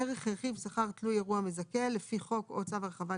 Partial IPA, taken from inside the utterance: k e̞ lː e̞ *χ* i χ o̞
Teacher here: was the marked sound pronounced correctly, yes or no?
no